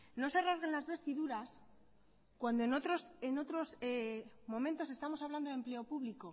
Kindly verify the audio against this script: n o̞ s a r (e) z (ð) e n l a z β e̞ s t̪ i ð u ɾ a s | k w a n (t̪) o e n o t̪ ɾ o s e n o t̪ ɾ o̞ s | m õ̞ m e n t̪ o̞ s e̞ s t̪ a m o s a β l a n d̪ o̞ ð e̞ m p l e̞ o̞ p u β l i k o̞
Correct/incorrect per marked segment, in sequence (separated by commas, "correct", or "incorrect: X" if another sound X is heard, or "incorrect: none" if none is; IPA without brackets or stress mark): incorrect: a, incorrect: ɣ, incorrect: d̪